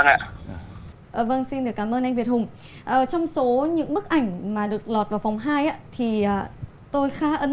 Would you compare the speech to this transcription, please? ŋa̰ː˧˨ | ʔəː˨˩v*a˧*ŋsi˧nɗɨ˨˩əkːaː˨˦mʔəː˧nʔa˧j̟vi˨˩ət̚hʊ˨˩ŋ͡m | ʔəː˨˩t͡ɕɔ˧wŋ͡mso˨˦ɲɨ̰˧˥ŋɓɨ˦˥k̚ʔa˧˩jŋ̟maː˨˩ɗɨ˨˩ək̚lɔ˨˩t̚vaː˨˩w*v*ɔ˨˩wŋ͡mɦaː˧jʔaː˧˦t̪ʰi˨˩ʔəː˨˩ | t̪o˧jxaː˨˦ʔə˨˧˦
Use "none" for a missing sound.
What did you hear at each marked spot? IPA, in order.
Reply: ə˧, f

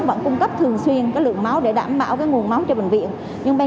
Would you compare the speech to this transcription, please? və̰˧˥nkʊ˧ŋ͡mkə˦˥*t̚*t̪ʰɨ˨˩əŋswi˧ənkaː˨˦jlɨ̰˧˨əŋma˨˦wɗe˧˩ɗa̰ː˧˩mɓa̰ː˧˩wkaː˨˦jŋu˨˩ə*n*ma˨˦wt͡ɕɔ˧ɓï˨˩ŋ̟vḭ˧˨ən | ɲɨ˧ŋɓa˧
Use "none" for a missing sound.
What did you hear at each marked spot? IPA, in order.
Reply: p̚, n

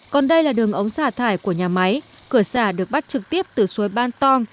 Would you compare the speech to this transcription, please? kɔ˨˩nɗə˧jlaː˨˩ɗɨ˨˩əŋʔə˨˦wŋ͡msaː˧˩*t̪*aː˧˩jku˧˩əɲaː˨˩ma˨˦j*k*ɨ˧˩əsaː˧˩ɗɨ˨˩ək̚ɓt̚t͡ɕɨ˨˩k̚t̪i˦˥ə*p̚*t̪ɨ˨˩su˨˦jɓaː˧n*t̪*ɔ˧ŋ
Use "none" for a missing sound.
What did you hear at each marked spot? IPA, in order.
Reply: t̪ʰ, k, p̚, t̪

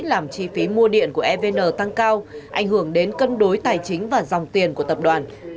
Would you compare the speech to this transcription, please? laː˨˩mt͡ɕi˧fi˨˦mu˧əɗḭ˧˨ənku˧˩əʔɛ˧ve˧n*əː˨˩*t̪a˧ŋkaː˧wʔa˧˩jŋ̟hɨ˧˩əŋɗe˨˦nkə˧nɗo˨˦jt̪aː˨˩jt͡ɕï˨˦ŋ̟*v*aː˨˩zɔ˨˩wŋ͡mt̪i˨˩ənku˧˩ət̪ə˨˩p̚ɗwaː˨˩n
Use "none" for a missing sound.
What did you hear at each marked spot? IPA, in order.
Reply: əː˨˩, v

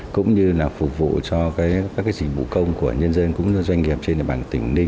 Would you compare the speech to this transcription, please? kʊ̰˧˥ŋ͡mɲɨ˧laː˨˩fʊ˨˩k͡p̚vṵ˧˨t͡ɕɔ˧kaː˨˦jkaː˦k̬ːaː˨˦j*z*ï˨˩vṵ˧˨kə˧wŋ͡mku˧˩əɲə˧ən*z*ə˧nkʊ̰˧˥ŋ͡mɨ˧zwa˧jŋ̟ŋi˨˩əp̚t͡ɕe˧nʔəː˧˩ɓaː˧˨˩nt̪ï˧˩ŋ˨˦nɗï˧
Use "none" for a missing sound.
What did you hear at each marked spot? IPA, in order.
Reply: z, z

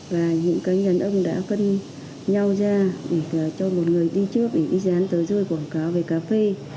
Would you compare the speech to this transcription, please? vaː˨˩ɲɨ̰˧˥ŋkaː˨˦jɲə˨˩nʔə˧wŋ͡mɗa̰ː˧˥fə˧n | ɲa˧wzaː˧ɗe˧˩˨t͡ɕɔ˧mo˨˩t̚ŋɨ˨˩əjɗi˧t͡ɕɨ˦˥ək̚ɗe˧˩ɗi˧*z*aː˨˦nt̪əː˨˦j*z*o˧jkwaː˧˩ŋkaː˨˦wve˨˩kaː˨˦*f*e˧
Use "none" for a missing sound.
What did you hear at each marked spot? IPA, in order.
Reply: z, z, f

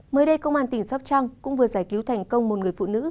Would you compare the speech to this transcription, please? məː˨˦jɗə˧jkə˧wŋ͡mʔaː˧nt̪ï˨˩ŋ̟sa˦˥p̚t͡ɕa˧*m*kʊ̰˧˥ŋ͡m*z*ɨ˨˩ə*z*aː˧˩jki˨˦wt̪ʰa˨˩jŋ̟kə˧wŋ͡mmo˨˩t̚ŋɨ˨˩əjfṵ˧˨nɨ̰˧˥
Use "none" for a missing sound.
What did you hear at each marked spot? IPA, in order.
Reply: ŋ, v, z

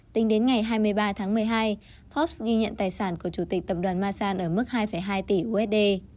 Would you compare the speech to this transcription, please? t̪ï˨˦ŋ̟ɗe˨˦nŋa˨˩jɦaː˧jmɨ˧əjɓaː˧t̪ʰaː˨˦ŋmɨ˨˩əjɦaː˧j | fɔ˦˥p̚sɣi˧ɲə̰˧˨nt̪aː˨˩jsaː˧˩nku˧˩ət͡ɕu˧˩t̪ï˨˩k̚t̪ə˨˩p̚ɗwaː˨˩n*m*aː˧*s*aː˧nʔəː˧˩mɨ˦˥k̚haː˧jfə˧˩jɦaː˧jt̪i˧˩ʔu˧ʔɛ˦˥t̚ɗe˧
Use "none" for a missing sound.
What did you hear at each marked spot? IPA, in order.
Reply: m, s

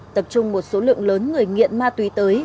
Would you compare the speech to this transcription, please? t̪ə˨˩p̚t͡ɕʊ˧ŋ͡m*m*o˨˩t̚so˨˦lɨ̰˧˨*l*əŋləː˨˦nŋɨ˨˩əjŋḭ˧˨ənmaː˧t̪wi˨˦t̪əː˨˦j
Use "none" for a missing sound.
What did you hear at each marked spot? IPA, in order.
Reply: m, none

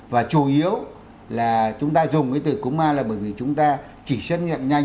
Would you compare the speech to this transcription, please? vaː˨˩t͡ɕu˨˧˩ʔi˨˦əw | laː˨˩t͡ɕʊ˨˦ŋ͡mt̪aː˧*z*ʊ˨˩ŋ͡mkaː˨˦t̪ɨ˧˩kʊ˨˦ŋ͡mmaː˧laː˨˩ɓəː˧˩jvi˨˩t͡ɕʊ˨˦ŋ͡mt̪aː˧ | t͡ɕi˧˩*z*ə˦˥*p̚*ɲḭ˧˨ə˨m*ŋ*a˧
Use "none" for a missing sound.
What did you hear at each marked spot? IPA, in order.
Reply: z, s, t̚, ɲ

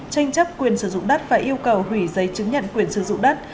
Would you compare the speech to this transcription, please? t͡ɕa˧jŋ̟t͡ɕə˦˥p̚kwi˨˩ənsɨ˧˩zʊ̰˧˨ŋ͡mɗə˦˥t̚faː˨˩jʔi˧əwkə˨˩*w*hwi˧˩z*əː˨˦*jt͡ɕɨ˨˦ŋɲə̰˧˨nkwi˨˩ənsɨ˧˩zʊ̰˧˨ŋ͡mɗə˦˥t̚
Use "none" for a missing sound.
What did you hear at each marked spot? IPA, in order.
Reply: w, ə˨˦

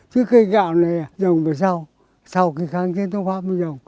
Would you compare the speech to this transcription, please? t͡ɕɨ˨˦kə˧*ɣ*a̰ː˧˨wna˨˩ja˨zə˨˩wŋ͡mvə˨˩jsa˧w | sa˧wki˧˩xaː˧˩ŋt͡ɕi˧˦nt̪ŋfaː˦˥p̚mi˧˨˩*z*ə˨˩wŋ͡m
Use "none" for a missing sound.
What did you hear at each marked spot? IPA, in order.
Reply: ɣ, z

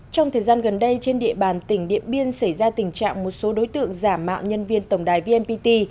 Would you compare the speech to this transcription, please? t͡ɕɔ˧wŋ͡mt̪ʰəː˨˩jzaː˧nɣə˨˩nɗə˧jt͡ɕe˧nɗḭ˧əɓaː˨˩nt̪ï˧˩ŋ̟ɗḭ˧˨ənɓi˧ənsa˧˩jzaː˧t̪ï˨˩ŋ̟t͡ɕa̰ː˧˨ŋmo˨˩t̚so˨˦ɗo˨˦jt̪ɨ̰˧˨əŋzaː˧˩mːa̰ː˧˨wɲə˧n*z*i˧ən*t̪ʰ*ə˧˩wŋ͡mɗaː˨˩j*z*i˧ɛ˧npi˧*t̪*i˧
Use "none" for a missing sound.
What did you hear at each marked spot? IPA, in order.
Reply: v, t̪, v, t̪

